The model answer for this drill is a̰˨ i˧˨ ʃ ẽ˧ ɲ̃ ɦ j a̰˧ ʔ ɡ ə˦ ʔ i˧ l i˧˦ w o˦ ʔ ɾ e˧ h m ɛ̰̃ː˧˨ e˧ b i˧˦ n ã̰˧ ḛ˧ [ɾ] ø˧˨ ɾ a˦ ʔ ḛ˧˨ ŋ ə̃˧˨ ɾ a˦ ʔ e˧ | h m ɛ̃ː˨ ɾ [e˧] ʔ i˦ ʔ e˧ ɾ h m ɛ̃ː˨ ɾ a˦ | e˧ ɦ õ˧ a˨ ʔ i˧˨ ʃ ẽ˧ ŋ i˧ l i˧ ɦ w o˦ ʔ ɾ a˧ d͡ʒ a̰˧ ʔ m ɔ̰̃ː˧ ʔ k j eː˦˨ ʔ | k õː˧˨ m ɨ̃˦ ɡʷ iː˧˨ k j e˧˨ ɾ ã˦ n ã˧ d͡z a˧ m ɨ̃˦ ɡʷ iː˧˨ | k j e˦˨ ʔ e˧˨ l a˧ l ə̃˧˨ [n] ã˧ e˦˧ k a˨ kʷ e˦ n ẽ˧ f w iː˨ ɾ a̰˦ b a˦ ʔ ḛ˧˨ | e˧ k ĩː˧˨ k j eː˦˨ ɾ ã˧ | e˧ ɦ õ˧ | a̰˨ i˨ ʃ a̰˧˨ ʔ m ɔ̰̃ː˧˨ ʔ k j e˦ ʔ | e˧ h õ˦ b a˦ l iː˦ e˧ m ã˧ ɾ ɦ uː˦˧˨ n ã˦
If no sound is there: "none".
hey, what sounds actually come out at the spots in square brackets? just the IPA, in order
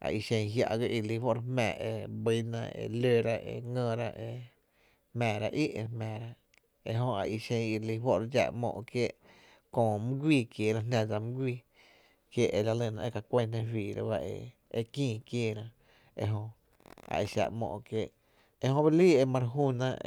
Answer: l, a˧, n

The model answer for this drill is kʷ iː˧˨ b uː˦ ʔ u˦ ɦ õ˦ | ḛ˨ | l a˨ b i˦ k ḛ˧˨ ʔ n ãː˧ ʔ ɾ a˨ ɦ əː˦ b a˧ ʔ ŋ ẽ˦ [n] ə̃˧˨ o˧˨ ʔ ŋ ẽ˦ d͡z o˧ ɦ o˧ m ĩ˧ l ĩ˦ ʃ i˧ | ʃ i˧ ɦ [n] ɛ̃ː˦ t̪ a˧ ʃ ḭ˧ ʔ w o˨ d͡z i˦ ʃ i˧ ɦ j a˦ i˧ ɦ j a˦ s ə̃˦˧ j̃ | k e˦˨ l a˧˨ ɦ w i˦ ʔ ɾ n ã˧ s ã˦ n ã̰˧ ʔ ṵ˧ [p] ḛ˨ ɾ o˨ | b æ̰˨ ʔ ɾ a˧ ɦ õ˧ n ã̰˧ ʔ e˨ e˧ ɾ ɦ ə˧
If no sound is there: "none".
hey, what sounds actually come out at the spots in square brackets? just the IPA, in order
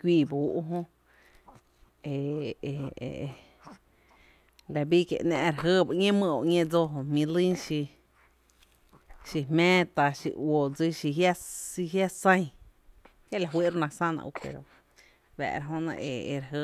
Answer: m, m, p

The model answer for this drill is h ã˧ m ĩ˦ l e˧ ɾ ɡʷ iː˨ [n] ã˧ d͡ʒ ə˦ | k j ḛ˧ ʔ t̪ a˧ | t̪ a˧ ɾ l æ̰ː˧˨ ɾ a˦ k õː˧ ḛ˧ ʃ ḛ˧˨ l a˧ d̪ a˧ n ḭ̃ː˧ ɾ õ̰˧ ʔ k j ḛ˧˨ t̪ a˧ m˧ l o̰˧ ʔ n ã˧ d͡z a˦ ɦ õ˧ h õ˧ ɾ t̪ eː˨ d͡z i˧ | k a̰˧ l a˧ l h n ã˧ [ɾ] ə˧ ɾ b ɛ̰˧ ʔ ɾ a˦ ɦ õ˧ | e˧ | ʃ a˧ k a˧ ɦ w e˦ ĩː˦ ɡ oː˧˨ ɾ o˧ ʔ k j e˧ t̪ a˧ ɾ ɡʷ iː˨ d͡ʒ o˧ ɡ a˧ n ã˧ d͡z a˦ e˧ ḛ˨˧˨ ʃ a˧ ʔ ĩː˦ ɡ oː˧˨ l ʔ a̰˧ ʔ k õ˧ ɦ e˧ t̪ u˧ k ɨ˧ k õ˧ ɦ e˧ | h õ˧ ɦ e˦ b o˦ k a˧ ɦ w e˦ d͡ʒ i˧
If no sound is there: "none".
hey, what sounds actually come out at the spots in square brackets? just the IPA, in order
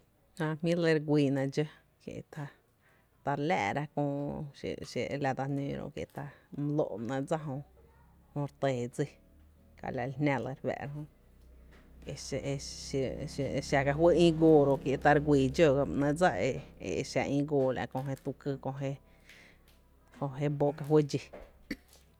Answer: n, l

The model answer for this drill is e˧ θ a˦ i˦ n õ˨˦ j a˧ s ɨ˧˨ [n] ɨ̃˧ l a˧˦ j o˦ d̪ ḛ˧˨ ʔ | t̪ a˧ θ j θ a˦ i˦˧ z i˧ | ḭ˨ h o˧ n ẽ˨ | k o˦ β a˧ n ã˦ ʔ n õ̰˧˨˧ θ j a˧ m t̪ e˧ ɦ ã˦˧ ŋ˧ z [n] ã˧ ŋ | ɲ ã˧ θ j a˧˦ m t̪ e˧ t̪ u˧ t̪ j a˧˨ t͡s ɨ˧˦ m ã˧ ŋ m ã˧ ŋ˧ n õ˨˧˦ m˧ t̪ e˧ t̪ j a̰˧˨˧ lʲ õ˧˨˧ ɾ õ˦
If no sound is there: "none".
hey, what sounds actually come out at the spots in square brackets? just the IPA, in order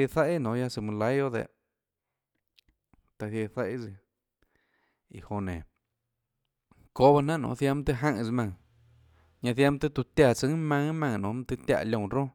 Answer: m, m

